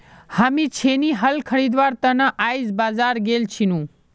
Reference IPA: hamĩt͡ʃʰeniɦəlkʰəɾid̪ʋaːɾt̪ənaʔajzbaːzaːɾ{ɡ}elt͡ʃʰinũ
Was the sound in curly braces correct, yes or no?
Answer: yes